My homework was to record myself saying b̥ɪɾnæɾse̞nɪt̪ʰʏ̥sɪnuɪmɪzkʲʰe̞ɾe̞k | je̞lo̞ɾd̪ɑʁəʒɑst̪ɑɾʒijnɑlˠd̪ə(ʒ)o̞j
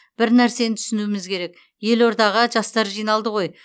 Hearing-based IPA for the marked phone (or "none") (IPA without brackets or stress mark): ʁ